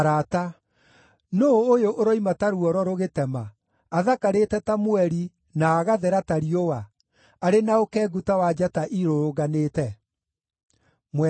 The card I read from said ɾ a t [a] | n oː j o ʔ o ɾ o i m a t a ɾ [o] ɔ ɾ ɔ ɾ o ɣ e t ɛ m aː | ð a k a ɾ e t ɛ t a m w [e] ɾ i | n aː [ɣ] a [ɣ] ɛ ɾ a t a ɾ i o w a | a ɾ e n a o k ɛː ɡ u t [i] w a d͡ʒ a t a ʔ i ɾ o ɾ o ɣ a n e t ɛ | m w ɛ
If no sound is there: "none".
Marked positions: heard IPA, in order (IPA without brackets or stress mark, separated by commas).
a, u, ɛ, ɣ, ð, a